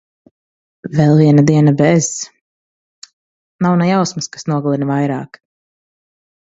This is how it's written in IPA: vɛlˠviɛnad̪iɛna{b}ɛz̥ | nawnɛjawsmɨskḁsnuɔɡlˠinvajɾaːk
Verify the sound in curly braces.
correct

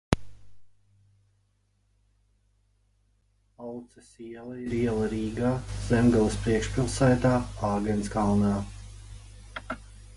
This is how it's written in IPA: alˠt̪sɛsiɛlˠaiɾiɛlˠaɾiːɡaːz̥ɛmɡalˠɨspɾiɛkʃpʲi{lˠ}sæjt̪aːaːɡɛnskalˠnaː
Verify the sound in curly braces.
correct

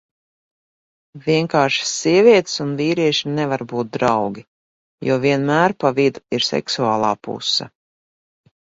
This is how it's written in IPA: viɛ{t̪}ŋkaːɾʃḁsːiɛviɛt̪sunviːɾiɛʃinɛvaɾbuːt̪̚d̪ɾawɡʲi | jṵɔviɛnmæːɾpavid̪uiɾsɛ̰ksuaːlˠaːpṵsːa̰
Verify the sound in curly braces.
incorrect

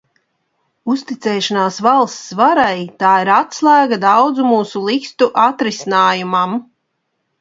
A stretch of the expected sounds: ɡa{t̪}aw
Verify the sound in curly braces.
incorrect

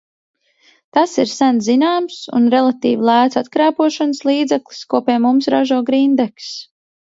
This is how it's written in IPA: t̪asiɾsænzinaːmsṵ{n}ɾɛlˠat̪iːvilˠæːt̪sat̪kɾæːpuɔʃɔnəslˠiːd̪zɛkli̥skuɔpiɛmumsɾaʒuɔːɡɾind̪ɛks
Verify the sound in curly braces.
correct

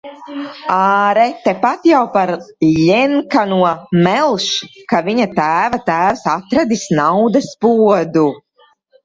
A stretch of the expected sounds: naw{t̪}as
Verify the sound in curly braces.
incorrect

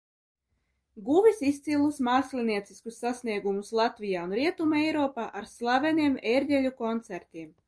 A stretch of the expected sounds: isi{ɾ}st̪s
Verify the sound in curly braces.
incorrect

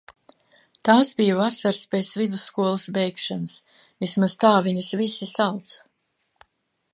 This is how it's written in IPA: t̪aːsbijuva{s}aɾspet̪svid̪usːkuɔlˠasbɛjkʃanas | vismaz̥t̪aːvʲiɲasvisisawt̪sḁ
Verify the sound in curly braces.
correct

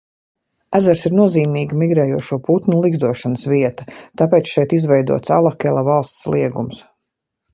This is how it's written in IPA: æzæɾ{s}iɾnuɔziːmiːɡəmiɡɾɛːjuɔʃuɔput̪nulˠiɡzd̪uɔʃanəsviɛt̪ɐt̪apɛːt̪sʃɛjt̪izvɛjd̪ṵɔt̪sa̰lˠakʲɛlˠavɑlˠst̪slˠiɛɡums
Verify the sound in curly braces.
correct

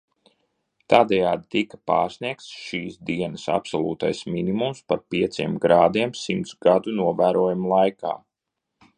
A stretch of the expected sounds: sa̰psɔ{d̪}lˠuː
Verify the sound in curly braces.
incorrect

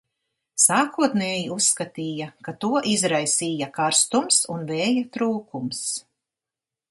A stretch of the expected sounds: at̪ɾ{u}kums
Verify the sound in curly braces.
incorrect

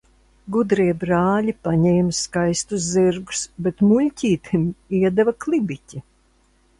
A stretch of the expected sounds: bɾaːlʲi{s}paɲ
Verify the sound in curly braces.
incorrect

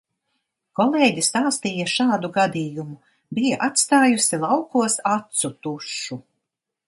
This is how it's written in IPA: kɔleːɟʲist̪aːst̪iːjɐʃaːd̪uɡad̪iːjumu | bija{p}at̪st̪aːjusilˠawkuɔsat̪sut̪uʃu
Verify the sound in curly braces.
incorrect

